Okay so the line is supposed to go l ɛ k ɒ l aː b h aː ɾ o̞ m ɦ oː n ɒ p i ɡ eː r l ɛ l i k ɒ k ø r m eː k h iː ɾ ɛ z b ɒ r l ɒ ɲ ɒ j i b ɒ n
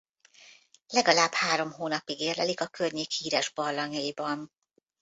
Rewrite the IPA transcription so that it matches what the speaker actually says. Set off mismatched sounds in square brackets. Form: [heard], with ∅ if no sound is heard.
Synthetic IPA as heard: l ɛ [ɡ] ɒ l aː b h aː ɾ o̞ m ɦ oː n ɒ p i ɡ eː r l ɛ l i k ɒ k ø r [ɲ] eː k h iː ɾ ɛ [ʒ] b ɒ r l ɒ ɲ ɒ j i b ɒ n